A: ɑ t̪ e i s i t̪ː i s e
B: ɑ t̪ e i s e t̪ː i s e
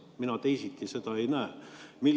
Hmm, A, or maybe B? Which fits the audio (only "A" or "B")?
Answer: A